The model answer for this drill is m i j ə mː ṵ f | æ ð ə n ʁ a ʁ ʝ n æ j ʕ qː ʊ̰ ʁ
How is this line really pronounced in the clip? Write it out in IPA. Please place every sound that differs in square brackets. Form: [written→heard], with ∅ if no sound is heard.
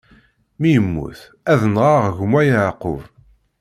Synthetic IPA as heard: m i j ə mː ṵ [f→θ] | æ ð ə n ʁ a ʁ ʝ [n→m] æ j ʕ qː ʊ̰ [ʁ→v]